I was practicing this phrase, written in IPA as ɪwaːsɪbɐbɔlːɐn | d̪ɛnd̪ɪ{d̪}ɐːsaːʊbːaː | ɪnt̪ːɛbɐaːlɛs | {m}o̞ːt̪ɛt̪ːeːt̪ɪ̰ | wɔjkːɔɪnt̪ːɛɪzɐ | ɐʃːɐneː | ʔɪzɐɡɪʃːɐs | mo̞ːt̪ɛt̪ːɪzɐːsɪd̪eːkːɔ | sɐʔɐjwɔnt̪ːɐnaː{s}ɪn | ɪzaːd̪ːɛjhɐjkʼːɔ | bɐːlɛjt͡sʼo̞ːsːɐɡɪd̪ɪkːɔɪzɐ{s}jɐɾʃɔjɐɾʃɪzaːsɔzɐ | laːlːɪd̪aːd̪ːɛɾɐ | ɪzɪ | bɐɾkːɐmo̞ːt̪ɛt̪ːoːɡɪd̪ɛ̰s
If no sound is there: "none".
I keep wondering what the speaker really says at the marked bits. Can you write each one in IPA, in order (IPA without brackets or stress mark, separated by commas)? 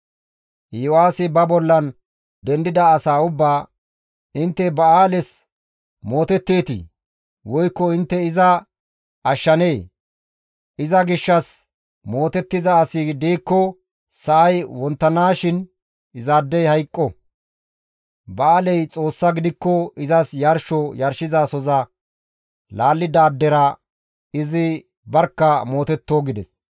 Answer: d̪, m, ʃ, s